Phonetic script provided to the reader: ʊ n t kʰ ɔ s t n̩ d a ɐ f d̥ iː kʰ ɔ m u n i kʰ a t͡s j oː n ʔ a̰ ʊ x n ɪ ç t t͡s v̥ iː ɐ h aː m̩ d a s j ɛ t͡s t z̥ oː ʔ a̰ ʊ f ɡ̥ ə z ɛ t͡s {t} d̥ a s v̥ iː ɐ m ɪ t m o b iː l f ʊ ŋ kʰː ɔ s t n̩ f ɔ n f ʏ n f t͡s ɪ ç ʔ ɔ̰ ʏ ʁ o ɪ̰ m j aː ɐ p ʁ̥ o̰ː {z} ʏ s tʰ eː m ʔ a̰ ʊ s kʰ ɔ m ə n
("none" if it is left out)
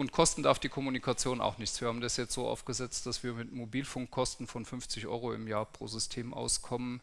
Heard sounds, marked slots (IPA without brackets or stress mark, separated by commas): t, z